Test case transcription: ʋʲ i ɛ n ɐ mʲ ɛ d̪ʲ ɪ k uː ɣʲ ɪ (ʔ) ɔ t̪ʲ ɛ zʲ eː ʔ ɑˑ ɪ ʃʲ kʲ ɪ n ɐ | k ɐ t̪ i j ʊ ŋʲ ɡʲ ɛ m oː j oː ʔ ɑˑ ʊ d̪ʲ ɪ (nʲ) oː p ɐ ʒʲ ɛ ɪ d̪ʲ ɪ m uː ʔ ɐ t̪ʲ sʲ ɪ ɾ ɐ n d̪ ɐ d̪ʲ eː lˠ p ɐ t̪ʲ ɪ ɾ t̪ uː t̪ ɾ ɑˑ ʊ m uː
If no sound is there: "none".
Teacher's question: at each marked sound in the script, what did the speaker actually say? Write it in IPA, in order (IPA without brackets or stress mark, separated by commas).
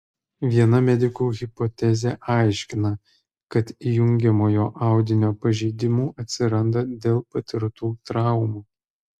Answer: p, nʲ